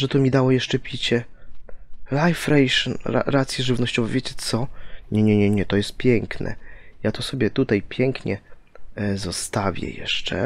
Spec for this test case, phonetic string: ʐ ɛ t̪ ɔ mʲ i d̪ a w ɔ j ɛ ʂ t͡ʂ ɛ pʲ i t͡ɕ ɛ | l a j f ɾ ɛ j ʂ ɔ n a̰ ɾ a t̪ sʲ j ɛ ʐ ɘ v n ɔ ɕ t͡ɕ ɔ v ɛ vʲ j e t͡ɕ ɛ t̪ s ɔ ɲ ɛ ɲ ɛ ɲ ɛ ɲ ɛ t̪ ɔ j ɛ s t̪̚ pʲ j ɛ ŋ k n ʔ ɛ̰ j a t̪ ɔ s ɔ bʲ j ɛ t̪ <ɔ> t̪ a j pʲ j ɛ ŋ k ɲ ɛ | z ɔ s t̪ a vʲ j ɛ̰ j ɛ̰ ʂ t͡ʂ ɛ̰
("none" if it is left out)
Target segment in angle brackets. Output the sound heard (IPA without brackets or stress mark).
u